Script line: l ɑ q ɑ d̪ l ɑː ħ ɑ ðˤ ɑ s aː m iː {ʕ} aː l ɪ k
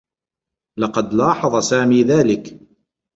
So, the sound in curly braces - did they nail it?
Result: no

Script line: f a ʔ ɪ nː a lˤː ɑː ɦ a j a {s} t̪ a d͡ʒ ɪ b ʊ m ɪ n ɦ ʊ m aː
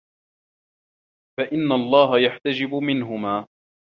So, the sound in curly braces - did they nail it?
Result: no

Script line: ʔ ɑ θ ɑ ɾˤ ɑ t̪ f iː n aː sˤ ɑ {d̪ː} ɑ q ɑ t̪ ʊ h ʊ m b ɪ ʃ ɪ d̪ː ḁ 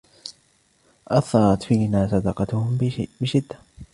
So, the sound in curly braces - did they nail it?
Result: no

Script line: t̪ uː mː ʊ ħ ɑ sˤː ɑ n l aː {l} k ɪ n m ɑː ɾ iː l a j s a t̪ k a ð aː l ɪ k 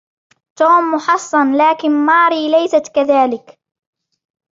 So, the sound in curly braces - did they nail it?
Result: no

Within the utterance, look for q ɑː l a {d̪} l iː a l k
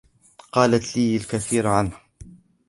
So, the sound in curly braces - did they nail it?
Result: no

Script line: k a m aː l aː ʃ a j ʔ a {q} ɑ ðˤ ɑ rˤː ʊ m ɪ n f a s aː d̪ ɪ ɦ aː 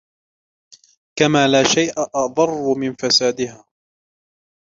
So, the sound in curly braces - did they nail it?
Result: no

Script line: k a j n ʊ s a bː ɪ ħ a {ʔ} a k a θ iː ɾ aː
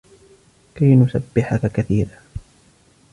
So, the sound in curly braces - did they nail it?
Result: no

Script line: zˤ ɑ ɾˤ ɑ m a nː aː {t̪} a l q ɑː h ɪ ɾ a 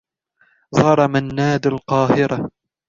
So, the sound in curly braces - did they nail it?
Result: no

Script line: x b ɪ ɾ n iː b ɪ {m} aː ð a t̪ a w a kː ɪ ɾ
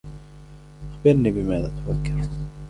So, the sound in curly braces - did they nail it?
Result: yes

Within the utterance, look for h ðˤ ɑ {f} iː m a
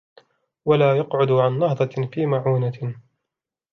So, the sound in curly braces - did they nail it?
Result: yes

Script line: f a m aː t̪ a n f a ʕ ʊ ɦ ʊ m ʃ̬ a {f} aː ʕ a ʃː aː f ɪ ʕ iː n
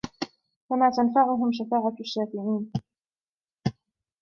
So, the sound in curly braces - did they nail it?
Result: yes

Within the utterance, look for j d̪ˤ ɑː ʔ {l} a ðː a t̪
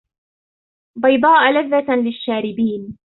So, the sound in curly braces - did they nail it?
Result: yes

